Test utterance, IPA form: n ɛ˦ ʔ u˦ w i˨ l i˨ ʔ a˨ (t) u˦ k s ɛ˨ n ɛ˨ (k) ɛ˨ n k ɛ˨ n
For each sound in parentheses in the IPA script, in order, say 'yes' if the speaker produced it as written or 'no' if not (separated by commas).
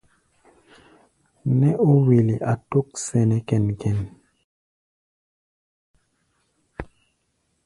yes, yes